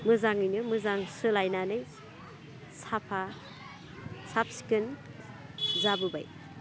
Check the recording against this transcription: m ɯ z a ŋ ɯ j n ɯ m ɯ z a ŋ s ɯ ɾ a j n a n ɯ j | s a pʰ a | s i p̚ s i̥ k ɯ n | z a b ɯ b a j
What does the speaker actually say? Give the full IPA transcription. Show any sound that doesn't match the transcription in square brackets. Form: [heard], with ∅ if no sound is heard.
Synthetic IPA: m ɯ z a ŋ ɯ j n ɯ m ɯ z a ŋ s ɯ [l] a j n a n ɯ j | s a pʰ a | s [a] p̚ s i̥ k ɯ n | z a b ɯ b a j